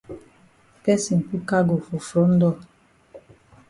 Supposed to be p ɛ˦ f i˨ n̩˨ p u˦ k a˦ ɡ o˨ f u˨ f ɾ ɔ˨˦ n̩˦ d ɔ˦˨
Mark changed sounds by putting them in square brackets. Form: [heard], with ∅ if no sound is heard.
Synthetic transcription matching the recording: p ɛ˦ [s] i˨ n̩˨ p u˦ k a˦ ɡ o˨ f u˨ f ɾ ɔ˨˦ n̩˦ d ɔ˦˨